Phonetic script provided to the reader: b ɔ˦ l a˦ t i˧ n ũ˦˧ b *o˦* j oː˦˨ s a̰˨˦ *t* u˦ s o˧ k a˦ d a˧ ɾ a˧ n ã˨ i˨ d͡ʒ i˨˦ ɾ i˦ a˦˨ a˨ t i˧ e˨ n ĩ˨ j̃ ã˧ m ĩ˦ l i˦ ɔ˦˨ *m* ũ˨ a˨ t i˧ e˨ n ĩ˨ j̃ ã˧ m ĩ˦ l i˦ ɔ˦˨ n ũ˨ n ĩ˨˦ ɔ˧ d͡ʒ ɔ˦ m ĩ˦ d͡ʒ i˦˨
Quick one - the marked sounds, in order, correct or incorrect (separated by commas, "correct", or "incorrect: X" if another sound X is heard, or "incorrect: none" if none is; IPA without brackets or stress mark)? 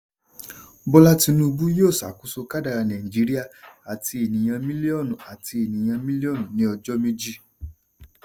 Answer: incorrect: u˦, incorrect: k, incorrect: n